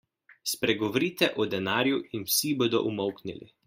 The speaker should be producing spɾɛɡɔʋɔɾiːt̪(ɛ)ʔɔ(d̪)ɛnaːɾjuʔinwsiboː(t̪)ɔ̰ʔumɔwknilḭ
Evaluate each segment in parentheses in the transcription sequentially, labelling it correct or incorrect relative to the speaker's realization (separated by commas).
correct, correct, incorrect